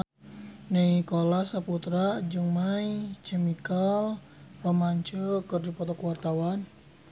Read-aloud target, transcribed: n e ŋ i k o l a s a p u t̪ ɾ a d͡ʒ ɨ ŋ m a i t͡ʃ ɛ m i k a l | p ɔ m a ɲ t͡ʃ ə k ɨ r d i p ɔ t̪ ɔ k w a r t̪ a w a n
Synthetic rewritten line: n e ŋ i k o l a s a p u t̪ ɾ a d͡ʒ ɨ ŋ m a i t͡ʃ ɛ m i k a l | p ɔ m a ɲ t͡ʃ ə k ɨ r d i p ɔ t̪ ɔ k w a r t̪ a w a n